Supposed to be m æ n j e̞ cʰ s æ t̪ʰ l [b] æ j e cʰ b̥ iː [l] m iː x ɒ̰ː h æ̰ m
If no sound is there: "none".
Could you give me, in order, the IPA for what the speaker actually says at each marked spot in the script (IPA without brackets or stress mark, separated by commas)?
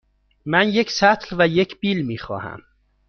v, l